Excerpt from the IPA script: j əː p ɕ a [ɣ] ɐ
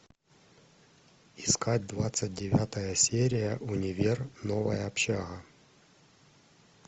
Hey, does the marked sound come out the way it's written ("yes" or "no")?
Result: yes